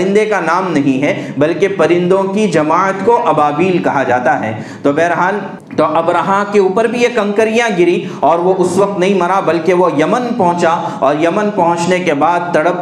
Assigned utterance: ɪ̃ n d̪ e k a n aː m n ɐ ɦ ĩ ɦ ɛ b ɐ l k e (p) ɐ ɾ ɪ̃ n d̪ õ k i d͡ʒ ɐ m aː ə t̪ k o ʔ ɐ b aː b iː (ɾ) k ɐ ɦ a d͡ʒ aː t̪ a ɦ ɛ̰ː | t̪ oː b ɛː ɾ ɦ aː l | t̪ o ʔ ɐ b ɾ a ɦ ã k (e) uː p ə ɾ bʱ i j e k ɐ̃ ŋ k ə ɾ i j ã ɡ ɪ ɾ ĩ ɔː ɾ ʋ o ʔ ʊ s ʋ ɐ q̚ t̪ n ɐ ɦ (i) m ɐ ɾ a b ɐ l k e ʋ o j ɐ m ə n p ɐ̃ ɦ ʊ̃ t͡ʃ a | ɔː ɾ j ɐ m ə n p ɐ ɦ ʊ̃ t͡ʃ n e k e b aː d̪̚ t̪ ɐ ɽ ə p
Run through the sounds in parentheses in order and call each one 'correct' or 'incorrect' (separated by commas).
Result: correct, incorrect, correct, incorrect